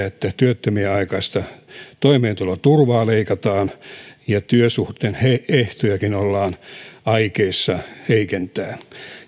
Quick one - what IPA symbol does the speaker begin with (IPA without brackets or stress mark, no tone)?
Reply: e